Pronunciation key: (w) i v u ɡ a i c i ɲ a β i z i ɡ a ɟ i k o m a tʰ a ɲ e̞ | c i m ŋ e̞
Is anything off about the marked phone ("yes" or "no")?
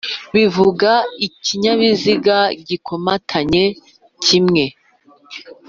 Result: yes